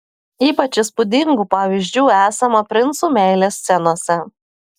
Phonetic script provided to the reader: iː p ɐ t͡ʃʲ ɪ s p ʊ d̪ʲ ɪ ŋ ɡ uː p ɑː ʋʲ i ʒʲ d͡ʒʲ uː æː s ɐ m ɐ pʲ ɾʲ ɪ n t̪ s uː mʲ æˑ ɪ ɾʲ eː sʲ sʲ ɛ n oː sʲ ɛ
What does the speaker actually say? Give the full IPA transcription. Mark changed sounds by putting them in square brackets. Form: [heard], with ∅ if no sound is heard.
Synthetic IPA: iː p ɐ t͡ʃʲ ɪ s p ʊ d̪ʲ ɪ ŋ ɡ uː p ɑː ʋʲ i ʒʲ d͡ʒʲ uː æː s ɐ m ɐ pʲ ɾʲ ɪ n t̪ s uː mʲ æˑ ɪ [lʲ] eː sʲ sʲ ɛ n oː sʲ ɛ